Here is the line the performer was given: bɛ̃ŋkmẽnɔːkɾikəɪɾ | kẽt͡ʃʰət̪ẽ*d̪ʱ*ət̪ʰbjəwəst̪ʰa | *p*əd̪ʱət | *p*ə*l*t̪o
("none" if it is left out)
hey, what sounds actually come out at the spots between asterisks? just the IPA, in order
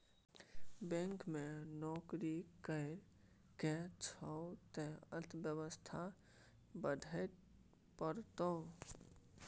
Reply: none, b, p, ɾ

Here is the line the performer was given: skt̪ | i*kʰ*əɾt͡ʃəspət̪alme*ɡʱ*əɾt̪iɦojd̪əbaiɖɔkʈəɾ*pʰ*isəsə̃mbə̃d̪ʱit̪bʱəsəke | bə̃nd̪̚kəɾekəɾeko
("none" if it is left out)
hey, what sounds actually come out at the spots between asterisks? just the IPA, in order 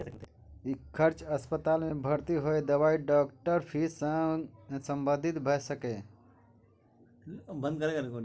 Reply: kʰ, bʱ, pʰ

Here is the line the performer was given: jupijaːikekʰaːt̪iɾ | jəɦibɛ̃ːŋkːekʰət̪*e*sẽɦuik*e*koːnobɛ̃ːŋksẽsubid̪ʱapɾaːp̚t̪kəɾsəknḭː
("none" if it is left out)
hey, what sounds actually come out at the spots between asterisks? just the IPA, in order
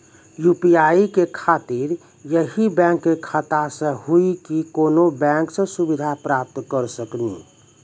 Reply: a, i

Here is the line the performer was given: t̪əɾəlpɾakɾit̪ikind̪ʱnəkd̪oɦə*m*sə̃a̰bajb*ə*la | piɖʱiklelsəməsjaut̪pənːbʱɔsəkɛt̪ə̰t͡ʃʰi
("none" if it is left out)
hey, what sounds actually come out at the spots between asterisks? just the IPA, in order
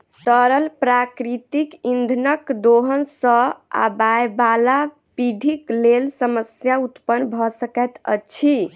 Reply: n, a

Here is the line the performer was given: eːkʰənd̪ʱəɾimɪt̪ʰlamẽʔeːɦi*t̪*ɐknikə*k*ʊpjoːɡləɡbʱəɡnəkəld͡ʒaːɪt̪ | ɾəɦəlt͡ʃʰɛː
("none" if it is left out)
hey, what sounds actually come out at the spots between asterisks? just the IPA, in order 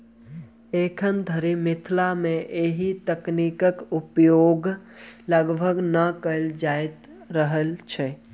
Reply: t̪, k

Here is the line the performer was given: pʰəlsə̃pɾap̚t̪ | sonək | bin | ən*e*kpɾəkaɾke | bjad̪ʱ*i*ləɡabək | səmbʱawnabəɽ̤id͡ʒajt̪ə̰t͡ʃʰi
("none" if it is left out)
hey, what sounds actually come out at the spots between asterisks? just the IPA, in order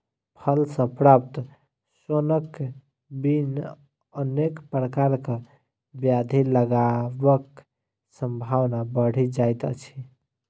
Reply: e, i

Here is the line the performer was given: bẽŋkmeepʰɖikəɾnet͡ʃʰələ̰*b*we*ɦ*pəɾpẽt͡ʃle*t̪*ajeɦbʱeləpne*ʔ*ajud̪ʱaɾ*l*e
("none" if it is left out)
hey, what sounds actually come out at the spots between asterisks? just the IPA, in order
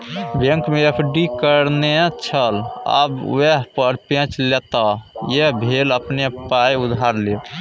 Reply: b, ɦ, t̪, p, l

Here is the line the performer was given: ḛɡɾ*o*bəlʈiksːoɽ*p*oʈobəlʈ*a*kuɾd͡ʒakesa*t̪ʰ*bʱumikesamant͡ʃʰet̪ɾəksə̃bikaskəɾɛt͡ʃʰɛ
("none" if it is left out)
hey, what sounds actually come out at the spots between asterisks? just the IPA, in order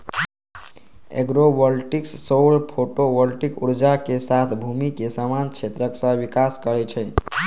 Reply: o, pʰ, i, t̪ʰ

